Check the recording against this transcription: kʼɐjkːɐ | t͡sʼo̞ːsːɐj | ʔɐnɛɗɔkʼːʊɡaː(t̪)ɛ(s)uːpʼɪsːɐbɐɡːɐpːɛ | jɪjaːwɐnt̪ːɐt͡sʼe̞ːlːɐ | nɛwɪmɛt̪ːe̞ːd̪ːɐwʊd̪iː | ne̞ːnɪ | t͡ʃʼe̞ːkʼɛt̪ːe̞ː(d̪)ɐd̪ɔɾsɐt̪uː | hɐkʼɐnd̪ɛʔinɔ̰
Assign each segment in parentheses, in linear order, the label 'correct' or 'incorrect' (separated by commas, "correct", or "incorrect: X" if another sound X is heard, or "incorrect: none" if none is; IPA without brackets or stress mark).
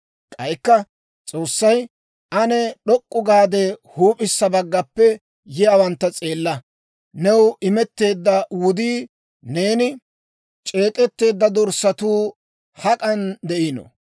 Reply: incorrect: d̪, incorrect: h, incorrect: d̪ː